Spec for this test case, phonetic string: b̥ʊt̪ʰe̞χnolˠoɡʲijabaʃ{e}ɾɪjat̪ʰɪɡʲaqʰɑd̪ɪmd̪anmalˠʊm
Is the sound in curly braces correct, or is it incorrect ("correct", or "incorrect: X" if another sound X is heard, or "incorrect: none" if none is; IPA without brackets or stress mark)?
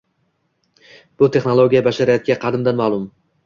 incorrect: a